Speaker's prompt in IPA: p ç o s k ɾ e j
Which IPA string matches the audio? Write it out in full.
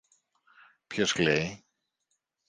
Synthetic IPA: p ç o s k l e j

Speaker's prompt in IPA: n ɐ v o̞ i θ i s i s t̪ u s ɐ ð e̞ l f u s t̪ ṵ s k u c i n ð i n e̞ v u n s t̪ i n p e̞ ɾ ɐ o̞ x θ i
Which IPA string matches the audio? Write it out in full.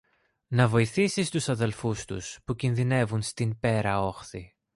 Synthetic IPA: n ɐ v o̞ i θ i s i s t̪ u s ɐ ð e̞ l f u s t̪ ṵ s p u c i n ð i n e̞ v u n s t̪ i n p e̞ ɾ ɐ o̞ x θ i

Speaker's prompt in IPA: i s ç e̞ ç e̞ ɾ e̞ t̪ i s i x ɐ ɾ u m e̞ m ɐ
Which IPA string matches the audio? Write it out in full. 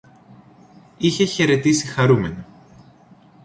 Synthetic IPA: i ç e̞ ç e̞ ɾ e̞ t̪ i s i x ɐ ɾ u m e̞ n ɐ

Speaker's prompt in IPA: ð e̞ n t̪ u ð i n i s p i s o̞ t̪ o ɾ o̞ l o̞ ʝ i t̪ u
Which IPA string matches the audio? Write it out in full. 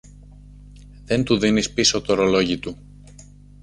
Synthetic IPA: ð e̞ n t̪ u ð i n i s p i s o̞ t̪ o ɾ o̞ l o̞ ʝ i t̪ u

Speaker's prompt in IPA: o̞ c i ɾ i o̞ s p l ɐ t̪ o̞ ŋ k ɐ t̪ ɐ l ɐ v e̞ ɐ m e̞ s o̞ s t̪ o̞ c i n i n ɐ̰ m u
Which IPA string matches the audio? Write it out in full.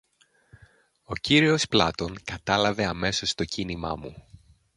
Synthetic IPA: o̞ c i ɾ i o̞ s p l ɐ t̪ o̞ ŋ k ɐ t̪ ɐ l ɐ v e̞ ɐ m e̞ s o̞ s t̪ o̞ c i n i m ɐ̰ m u

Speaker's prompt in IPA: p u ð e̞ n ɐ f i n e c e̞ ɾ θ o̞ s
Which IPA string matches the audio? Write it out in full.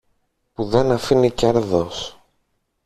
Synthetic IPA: p u ð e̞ n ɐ f i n i c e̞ ɾ ð o̞ s

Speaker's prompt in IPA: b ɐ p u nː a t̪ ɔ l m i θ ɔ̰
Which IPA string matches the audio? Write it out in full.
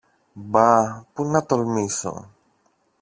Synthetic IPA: b a p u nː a t̪ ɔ l m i s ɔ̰

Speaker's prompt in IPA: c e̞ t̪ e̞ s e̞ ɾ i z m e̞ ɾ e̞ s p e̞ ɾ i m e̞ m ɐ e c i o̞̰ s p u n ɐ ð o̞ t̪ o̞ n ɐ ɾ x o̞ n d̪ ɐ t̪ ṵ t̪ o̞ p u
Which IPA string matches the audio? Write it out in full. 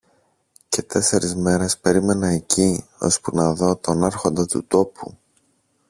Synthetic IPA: c e̞ t̪ e̞ s e̞ ɾ i z m e̞ ɾ e̞ s p e̞ ɾ i m e̞ n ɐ e c i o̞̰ s p u n ɐ ð o̞ t̪ o̞ n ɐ ɾ x o̞ n d̪ ɐ t̪ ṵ t̪ o̞ p u

